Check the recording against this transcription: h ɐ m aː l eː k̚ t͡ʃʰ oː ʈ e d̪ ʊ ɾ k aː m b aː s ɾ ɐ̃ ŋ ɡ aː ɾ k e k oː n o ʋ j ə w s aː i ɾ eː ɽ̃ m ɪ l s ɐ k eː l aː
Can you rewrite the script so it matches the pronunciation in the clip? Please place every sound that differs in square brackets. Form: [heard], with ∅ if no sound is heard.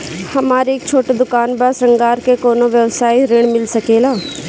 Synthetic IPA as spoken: h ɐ m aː [ɾ] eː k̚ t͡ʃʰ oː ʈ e d̪ ʊ [∅] k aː [n] b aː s ɾ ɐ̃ ŋ ɡ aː ɾ k e k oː n o ʋ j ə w s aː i ɾ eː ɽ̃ m ɪ l s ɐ k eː l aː